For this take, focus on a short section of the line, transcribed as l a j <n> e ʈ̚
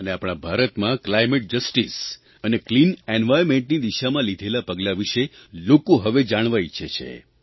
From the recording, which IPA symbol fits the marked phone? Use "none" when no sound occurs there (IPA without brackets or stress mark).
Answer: m